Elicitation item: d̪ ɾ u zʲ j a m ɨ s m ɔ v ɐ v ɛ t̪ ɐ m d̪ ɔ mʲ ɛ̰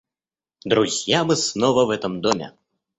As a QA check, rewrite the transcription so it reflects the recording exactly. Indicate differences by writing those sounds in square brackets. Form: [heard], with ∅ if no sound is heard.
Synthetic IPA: d̪ ɾ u zʲ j a m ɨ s [n] ɔ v ɐ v ɛ t̪ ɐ m d̪ ɔ mʲ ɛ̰